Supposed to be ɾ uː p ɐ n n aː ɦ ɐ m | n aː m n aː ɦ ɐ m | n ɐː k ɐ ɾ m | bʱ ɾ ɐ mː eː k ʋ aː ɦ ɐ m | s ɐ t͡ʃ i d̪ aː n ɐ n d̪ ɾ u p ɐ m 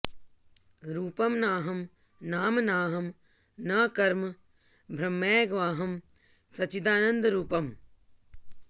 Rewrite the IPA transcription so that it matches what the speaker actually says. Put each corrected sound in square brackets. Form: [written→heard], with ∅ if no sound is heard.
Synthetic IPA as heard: ɾ uː p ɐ [n→m] n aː ɦ ɐ m | n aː m n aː ɦ ɐ m | n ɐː k ɐ ɾ m | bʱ ɾ ɐ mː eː [k→ɡ] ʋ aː ɦ ɐ m | s ɐ t͡ʃ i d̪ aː n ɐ n d̪ ɾ [u→uː] p ɐ m